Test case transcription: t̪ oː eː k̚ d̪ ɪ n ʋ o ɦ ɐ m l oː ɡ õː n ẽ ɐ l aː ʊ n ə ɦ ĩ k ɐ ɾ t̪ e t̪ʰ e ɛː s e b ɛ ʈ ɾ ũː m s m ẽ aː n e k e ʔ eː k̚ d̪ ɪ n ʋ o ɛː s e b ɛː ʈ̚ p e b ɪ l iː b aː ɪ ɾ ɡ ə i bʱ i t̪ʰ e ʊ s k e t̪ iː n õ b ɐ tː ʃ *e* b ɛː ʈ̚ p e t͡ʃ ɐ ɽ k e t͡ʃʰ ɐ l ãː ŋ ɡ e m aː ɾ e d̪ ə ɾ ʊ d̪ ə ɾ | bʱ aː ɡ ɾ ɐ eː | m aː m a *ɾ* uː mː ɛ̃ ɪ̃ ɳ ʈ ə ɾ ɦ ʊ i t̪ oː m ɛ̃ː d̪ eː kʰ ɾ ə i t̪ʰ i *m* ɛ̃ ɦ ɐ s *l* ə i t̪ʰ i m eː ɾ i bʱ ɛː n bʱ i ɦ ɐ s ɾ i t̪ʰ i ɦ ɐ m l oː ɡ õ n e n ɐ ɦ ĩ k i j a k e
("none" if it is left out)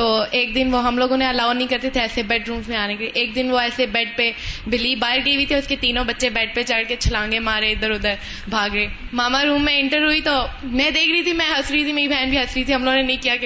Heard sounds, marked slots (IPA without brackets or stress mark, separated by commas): e, ɾ, m, ɾ